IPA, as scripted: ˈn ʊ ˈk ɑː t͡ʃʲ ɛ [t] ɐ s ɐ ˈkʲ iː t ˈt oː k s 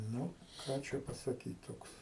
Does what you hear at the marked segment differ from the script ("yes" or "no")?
yes